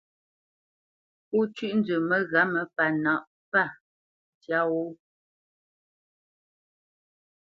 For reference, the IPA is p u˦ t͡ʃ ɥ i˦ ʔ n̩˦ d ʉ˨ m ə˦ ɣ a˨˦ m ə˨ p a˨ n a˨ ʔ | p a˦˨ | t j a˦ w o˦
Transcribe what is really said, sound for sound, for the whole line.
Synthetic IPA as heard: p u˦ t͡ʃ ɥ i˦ ʔ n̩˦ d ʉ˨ m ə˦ ɣ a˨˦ m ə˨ p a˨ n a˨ ʔ | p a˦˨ | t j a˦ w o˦